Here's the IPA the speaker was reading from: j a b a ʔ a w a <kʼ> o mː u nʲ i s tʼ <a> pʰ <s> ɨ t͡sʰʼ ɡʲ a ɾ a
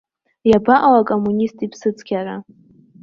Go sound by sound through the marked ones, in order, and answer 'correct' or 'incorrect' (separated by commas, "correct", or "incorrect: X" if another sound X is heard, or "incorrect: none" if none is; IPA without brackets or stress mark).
correct, incorrect: i, correct